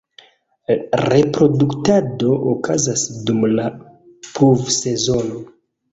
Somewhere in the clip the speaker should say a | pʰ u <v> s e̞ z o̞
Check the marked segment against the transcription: correct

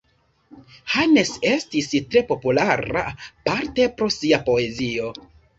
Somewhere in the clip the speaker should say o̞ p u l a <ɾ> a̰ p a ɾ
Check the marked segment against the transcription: correct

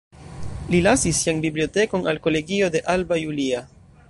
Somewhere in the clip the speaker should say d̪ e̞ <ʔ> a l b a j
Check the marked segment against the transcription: correct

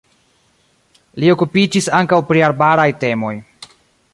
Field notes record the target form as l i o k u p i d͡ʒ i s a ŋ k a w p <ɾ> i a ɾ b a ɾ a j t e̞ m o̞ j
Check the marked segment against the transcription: correct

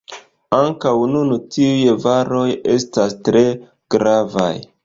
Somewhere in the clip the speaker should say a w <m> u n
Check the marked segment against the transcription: incorrect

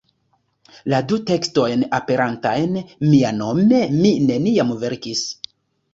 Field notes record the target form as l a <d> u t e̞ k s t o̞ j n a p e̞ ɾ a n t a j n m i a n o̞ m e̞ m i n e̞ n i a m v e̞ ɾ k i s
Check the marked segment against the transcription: correct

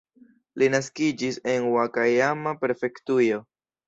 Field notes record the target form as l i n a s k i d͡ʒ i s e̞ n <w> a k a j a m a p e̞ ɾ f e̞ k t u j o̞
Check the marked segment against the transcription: correct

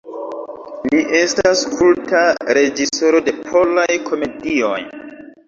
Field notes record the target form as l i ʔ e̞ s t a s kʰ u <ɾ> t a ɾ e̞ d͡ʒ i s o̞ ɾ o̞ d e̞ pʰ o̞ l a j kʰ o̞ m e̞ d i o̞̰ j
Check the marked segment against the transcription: incorrect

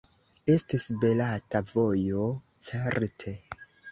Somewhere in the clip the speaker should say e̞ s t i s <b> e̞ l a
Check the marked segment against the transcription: correct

